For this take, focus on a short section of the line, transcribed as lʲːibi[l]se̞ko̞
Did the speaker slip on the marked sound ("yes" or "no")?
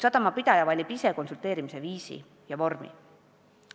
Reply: yes